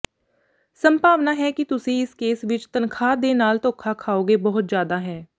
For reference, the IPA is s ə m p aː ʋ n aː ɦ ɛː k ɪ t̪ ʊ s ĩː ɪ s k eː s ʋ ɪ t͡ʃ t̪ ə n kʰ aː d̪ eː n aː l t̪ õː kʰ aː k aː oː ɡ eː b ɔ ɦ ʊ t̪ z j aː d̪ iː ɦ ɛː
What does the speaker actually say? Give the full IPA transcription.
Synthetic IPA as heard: s ə m p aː ʋ n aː ɦ ɛː k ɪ t̪ ʊ s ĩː ɪ s k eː s ʋ ɪ t͡ʃ t̪ ə n kʰ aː d̪ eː n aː l t̪ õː kʰ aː kʰ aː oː ɡ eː b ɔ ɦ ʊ t̪ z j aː d̪ aː ɦ ɛː